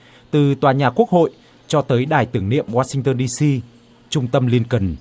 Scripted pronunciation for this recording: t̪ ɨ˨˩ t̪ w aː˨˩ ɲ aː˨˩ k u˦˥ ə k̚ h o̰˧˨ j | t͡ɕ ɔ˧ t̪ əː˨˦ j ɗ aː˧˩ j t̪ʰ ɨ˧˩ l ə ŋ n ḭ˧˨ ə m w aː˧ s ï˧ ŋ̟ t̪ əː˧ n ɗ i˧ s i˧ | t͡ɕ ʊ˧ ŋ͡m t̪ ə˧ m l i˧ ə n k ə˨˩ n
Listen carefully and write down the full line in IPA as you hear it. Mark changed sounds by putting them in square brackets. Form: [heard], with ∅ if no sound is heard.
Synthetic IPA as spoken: t̪ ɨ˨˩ t̪ w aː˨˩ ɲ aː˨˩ k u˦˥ ə k̚ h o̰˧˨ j | t͡ɕ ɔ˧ t̪ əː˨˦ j ɗ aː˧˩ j [t̪] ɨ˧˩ [∅] ə ŋ n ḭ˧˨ ə m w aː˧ s ï˧ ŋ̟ t̪ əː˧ n ɗ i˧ s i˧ | t͡ɕ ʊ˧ ŋ͡m t̪ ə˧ m l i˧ ə n k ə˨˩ n

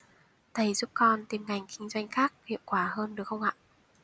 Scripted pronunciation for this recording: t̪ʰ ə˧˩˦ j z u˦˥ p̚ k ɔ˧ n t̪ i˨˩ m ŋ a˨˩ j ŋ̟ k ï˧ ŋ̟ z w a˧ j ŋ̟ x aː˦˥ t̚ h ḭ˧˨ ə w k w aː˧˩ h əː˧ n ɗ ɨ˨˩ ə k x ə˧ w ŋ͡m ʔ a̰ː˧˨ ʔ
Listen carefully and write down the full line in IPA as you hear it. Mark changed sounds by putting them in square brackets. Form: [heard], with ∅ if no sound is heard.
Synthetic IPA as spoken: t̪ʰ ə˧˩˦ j z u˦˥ p̚ k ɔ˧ n t̪ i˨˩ m ŋ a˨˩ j ŋ̟ k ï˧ ŋ̟ z w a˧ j ŋ̟ x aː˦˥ [k̚] h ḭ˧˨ ə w k w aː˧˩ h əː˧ n ɗ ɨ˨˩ ə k x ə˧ w ŋ͡m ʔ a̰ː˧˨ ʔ

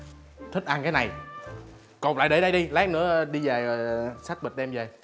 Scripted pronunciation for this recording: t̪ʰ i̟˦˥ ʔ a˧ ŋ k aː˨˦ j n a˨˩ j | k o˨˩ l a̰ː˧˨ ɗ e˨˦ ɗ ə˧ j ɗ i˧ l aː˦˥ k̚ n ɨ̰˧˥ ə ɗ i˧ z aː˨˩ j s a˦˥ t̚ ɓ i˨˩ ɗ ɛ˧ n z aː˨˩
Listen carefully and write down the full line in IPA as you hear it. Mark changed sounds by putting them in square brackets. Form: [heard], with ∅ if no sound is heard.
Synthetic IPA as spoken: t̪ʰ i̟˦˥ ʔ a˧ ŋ k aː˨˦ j n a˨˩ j | k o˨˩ l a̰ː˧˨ ɗ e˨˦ ɗ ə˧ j ɗ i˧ l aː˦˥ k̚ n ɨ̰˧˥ ə ɗ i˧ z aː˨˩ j s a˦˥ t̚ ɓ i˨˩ ɗ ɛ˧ [m] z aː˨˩

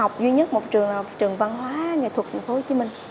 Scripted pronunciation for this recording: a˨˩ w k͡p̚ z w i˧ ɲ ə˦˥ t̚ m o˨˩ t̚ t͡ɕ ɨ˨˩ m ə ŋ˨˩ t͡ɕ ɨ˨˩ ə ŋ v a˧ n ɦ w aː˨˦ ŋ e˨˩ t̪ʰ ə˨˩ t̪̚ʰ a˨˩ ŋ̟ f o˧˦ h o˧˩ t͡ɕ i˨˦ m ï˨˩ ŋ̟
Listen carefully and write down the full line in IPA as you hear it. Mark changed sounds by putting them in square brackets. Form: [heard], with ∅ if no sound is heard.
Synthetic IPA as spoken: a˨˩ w k͡p̚ z w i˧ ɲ ə˦˥ t̚ m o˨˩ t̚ t͡ɕ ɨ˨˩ [∅] ə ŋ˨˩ t͡ɕ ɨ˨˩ ə ŋ v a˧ n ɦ w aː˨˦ ŋ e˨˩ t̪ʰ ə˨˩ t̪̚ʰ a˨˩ ŋ̟ f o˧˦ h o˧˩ t͡ɕ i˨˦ m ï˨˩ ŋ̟

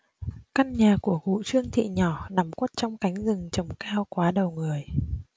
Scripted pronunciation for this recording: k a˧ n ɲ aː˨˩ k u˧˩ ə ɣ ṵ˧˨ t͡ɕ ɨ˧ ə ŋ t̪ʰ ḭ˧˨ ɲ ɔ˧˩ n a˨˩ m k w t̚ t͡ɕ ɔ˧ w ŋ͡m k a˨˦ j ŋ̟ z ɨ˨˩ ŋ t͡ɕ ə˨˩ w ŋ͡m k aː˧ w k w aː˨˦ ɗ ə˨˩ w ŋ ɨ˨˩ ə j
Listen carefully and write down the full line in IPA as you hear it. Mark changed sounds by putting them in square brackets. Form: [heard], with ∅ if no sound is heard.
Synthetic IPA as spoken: k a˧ n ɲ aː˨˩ k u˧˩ ə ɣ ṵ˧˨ t͡ɕ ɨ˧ ə ŋ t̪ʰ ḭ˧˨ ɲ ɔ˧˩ n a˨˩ m k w t̚ t͡ɕ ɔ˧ w ŋ͡m k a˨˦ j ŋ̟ z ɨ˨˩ ŋ t͡ɕ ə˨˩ w ŋ͡m k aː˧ w k w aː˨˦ ɗ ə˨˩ w ŋ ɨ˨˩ ə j

